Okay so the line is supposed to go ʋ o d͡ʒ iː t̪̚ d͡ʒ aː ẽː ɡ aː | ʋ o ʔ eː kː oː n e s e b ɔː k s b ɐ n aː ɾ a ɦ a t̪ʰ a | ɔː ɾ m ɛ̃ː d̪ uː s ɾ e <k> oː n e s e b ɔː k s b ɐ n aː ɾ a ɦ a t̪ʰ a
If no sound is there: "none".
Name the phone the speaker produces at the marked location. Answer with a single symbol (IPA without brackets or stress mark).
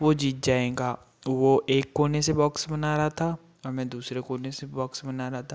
k